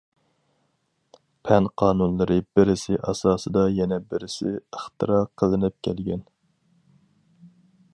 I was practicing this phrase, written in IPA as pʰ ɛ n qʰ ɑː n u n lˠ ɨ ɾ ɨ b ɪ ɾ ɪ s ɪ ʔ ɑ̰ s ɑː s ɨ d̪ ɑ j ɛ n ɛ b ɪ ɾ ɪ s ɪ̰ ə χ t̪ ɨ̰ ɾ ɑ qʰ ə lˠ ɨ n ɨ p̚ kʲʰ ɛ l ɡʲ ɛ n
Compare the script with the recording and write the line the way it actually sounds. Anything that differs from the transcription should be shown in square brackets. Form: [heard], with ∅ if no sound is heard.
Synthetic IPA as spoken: pʰ ɛ n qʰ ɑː n u n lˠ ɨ ɾ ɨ b ɪ ɾ ɪ s ɪ ʔ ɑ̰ s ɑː s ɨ d̪ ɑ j ɛ n ɛ b ɪ ɾ ɪ s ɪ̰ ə χ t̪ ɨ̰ ɾ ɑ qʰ ə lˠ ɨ n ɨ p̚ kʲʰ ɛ l ɡʲ ɛ n